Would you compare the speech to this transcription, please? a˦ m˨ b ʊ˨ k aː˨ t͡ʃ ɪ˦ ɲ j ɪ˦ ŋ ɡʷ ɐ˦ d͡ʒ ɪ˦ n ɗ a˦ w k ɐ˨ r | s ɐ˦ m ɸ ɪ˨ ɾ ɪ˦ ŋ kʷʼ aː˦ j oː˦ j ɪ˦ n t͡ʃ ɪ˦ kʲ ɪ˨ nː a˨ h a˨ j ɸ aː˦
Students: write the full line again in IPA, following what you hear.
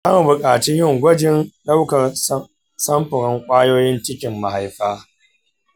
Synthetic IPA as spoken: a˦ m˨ b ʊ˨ kʼ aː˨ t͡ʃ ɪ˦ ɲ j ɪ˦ ŋ ɡʷ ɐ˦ d͡ʒ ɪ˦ n ɗ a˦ w k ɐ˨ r | s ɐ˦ m ɸ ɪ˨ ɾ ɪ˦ ŋ kʷʼ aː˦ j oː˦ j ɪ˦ n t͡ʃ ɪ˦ kʲ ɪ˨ mː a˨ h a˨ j ɸ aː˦